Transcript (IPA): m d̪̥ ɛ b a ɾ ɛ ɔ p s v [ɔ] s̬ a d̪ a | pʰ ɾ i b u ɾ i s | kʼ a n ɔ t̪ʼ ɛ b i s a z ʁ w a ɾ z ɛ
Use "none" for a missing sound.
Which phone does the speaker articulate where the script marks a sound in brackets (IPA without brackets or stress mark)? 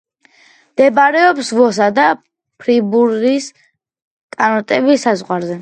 ɔ